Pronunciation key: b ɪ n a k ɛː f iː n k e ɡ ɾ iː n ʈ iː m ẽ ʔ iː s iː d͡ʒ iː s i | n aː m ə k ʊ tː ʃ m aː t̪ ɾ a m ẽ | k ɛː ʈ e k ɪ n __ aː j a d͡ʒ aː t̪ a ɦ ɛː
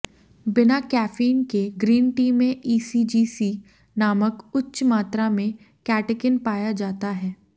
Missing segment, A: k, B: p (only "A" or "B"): B